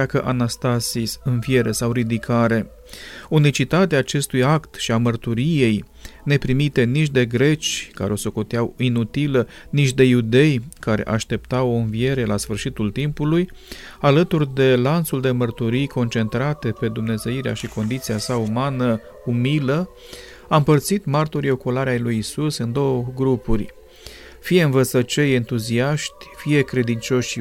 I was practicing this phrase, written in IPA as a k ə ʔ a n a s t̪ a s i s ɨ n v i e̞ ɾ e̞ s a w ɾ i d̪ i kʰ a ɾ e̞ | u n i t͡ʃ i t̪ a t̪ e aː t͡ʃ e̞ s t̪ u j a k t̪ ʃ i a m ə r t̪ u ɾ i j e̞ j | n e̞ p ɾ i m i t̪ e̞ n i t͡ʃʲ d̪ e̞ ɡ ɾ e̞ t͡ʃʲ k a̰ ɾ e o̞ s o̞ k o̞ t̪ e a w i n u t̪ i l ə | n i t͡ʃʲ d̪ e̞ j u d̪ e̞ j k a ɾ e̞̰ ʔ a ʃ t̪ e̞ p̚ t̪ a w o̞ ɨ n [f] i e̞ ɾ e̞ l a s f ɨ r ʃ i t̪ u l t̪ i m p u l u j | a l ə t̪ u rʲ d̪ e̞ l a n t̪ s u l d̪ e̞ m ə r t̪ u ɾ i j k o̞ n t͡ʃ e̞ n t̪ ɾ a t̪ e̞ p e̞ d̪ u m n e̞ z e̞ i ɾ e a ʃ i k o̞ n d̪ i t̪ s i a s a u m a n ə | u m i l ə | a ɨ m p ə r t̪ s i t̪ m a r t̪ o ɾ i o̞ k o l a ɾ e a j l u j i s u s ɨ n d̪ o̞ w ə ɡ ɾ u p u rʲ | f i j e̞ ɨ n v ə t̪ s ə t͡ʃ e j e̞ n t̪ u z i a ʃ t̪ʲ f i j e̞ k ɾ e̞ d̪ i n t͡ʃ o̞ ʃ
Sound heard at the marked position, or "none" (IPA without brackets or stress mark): v